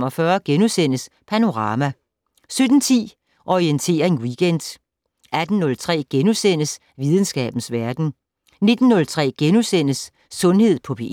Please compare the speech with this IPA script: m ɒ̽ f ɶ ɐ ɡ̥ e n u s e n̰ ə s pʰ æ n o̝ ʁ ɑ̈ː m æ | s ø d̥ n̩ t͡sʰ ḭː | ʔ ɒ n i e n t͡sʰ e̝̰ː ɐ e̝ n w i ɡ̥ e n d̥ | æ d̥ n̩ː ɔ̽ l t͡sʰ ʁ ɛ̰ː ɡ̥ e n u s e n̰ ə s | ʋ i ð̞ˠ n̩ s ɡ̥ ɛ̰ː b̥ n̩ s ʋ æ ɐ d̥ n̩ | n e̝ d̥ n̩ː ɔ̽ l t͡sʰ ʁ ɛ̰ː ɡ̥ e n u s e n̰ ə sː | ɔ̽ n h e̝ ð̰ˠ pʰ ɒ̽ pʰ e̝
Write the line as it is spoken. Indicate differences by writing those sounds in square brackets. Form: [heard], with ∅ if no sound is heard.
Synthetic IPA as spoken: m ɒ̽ f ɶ ɐ ɡ̥ e n u s e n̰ ə s pʰ æ n o̝ ʁ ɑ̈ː m æ | s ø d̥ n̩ t͡sʰ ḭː | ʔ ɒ [∅] i e n t͡sʰ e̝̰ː ɐ e̝ n w i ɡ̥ e n d̥ | æ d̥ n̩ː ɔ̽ l t͡sʰ ʁ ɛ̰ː ɡ̥ e n u s e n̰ ə s | ʋ i ð̞ˠ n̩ s ɡ̥ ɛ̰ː b̥ n̩ s ʋ æ ɐ d̥ n̩ | n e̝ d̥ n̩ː ɔ̽ l t͡sʰ ʁ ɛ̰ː ɡ̥ e n u s e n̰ ə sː | ɔ̽ n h e̝ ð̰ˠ pʰ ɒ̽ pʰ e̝